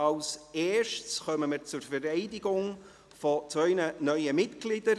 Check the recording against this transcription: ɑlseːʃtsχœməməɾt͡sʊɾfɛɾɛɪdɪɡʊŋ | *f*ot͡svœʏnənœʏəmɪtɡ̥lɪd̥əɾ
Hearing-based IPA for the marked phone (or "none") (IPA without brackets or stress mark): f